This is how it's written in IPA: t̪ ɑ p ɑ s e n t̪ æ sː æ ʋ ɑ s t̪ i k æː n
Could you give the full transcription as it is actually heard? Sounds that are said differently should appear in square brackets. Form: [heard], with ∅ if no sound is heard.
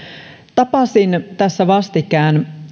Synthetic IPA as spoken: t̪ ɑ p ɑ s [i] n t̪ æ sː æ ʋ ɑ s t̪ i k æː n